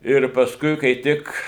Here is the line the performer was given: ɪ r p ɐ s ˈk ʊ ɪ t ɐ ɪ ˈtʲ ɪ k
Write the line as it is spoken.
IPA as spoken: ɪ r p ɐ s ˈk ʊ ɪ k ɐ ɪ ˈtʲ ɪ k